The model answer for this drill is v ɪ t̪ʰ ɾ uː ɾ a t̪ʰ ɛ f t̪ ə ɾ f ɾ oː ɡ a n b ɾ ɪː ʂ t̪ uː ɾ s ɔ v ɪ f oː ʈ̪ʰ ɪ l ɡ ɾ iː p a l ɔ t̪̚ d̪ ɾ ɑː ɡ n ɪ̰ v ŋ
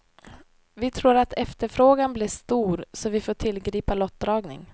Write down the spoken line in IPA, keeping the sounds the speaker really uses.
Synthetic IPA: v ɪ t̪ʰ ɾ uː ɾ a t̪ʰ ɛ f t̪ ə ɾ f ɾ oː ɡ a n b l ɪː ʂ t̪ uː ɾ s ɔ v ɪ f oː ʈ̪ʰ ɪ l ɡ ɾ iː p a l ɔ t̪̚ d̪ ɾ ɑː ɡ n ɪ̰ ŋ